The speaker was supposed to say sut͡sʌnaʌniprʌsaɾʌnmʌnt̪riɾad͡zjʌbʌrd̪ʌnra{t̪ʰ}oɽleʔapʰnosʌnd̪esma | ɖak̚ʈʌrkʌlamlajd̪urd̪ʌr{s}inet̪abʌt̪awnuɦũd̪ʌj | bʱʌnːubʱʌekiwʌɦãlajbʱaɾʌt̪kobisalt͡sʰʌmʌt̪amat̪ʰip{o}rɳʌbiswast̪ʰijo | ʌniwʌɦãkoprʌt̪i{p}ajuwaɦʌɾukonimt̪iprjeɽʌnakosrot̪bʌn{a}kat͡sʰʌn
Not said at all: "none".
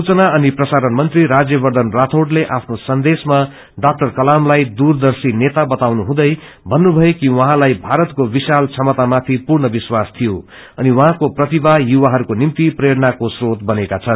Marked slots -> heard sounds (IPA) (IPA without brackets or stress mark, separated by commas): t̪ʰ, s, u, b, e